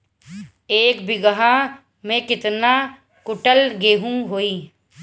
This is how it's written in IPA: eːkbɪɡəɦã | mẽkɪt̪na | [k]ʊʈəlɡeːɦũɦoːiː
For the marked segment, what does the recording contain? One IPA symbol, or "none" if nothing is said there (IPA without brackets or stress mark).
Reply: k